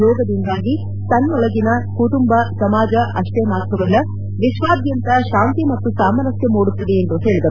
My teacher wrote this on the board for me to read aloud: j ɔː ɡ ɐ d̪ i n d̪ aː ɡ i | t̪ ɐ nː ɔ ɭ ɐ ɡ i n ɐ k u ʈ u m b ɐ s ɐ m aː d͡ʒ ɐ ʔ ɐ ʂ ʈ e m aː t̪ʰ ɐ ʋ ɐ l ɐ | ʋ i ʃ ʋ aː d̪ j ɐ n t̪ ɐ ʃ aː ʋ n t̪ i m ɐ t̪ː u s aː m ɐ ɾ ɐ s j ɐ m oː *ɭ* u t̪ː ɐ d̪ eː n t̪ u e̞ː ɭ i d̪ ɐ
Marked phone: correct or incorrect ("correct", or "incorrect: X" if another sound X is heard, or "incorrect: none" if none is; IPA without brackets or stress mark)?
incorrect: ɽ